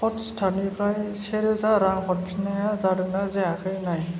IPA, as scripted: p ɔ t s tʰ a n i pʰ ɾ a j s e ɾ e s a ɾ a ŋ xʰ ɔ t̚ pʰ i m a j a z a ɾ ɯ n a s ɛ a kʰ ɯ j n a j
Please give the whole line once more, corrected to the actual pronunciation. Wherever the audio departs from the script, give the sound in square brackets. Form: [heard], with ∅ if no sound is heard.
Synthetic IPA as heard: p ɔ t s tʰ a n i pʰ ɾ a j s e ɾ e [z] a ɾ a ŋ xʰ ɔ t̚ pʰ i [n] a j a z a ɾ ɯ n a [z] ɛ a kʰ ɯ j n a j